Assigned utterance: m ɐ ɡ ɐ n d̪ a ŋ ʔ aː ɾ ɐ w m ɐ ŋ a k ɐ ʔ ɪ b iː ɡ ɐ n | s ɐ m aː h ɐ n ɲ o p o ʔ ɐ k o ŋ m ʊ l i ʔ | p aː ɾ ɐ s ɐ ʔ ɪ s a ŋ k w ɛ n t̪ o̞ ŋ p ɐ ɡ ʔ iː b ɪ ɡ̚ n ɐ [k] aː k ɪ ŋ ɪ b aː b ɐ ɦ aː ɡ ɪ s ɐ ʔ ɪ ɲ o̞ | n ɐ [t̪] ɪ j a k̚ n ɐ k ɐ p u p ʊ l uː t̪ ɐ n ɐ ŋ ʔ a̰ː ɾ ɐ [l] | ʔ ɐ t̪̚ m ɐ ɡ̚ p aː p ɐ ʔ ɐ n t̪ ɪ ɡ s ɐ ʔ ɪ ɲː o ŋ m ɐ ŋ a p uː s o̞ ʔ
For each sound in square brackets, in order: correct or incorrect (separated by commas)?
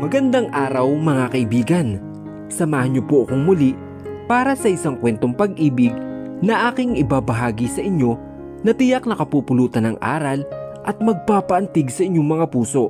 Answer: incorrect, correct, correct